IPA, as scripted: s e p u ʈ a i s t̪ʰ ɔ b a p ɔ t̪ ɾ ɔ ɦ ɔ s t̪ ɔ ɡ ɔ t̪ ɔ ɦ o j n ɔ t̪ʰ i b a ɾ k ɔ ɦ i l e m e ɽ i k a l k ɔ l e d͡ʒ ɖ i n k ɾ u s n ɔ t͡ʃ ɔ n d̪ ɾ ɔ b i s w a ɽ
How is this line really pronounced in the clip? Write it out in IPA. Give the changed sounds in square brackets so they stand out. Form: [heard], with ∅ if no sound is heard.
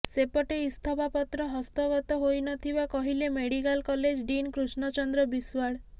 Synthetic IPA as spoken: s e p [ɔ] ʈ [e] i s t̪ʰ ɔ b a p ɔ t̪ ɾ ɔ ɦ ɔ s t̪ ɔ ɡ ɔ t̪ ɔ ɦ o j n ɔ t̪ʰ i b a [∅] k ɔ ɦ i l e m e ɽ i k a l k ɔ l e d͡ʒ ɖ i n k ɾ u s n ɔ t͡ʃ ɔ n d̪ ɾ ɔ b i s w a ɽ